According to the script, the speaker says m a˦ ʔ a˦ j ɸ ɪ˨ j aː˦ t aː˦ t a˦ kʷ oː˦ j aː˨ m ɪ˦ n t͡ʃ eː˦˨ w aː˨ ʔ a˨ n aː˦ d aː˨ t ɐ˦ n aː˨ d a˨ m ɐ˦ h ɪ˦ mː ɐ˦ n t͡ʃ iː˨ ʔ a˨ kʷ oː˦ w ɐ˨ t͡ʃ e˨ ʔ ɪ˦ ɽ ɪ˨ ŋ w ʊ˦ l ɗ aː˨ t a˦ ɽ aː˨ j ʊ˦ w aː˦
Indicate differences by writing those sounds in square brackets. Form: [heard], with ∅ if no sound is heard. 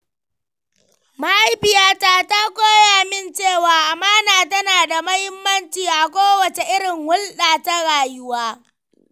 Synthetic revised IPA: m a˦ ʔ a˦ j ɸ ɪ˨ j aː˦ t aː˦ t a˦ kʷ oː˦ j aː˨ m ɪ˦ n t͡ʃ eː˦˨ w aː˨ ʔ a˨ [m] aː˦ [n] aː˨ t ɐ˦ n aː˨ d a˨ m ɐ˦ h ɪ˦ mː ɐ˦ n t͡ʃ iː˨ ʔ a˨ kʷ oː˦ w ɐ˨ t͡ʃ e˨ ʔ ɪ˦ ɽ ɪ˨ ŋ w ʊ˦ l ɗ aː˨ t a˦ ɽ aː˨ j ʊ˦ w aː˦